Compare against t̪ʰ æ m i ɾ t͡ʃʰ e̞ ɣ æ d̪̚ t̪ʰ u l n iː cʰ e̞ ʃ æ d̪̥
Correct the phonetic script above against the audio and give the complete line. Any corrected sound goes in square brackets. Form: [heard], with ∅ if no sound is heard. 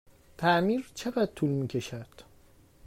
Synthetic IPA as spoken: t̪ʰ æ m i ɾ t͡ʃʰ e̞ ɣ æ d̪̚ t̪ʰ u l [m] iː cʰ e̞ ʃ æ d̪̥

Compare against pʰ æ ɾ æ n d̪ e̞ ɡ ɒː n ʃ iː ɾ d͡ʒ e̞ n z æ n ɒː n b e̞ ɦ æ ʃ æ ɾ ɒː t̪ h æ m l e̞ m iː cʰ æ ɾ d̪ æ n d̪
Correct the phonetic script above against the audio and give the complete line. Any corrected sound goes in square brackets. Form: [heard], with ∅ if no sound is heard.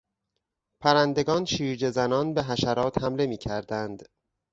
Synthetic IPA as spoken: pʰ æ ɾ æ n d̪ e̞ ɡ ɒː n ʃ iː ɾ d͡ʒ e̞ [∅] z æ n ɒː n b e̞ ɦ æ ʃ æ ɾ ɒː t̪ h æ m l e̞ m iː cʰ æ ɾ d̪ æ n d̪

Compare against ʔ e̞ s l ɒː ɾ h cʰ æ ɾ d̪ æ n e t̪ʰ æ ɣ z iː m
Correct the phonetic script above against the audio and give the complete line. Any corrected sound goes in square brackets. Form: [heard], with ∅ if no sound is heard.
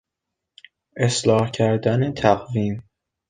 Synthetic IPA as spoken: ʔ e̞ s l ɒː [∅] h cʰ æ ɾ d̪ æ n e t̪ʰ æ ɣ [v] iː m

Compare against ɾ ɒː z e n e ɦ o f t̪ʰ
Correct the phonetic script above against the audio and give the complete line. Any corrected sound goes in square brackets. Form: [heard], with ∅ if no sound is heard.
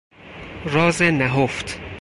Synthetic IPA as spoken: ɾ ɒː z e n [æ] ɦ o f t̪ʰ

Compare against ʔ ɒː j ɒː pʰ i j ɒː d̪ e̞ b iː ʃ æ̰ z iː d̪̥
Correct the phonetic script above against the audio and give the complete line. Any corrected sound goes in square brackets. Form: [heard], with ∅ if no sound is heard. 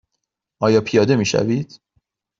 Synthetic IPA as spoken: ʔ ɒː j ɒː pʰ i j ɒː d̪ e̞ [m] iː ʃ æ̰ [v] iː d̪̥

